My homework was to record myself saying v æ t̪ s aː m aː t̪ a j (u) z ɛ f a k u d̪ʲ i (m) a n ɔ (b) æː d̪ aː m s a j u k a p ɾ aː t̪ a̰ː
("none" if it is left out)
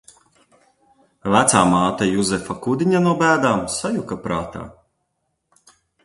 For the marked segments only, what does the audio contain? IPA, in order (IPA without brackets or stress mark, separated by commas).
u, ɲ, b